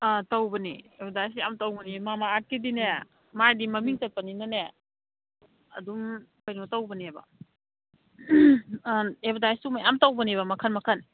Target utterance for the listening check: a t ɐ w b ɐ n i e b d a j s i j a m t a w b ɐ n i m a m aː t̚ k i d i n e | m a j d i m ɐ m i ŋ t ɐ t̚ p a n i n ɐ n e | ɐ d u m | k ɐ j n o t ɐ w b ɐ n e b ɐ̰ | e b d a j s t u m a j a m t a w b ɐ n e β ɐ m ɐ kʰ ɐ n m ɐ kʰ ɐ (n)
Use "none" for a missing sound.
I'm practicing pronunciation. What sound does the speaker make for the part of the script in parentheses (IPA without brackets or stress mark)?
n